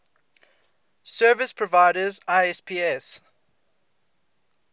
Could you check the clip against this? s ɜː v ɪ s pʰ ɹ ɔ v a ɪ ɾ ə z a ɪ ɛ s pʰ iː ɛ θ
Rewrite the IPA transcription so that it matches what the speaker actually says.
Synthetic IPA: s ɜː v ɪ s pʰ ɹ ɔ v a ɪ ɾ ə z a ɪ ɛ s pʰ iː ɛ s